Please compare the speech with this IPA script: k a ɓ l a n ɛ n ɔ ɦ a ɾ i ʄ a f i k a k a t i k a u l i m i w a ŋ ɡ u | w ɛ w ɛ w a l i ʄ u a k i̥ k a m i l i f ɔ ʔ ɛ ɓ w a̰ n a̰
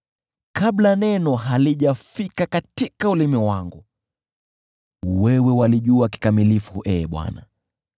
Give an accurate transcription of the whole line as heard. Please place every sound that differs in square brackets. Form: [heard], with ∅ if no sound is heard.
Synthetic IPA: k a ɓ l a n ɛ n ɔ ɦ a [l] i ʄ a f i k a k a t i k a u l i m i w a ŋ ɡ u | w ɛ w ɛ w a l i ʄ u a k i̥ k a m i l i f [u] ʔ ɛ ɓ w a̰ n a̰